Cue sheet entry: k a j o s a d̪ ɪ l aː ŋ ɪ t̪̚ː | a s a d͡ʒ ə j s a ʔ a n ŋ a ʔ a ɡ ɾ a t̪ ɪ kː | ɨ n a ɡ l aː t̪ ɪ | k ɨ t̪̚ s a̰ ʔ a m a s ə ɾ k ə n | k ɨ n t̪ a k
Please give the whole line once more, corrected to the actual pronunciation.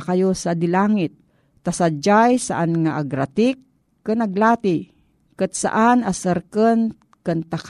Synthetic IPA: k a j o s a d̪ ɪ l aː ŋ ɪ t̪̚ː | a s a d͡ʒ a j s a ʔ a n ŋ a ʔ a ɡ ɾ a t̪ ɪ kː | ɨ n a ɡ l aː t̪ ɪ | k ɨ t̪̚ s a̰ ʔ a n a s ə ɾ k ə n | k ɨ n t̪ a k